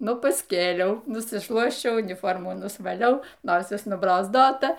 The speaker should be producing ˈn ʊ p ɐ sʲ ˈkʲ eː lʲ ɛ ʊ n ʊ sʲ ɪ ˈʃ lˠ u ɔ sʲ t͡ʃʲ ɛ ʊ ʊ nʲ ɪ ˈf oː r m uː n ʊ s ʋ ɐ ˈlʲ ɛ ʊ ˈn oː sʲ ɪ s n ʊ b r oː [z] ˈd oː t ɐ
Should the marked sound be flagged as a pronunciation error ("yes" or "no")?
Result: no